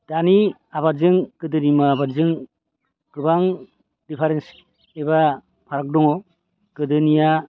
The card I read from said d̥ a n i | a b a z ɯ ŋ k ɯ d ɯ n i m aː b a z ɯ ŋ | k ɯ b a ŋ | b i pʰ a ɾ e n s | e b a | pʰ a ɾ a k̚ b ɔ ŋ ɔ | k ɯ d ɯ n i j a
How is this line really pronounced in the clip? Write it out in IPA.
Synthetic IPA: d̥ a n i | a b a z ɯ ŋ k ɯ d ɯ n i m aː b a z ɯ ŋ | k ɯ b a ŋ | d i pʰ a ɾ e n s | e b a | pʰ a ɾ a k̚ d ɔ ŋ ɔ | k ɯ d ɯ n i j a